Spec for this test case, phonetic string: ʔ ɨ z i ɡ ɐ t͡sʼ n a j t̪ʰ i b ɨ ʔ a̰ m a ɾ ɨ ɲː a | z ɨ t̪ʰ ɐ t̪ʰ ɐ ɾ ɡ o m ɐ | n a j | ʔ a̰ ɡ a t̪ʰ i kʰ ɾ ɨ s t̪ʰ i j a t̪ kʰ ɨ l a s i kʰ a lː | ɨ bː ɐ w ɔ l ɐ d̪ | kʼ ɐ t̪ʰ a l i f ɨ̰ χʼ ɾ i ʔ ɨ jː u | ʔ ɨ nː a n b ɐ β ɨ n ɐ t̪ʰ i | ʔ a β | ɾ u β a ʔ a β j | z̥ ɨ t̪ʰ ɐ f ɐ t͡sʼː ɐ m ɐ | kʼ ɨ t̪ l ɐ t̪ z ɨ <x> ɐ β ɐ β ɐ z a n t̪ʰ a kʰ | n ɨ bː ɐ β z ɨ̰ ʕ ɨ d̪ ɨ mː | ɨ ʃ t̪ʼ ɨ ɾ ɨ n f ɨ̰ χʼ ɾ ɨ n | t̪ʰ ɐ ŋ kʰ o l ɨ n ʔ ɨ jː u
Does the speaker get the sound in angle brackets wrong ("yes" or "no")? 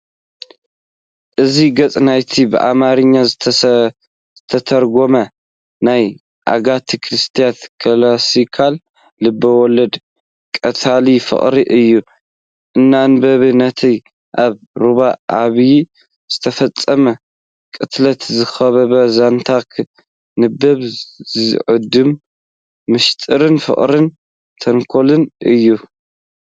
no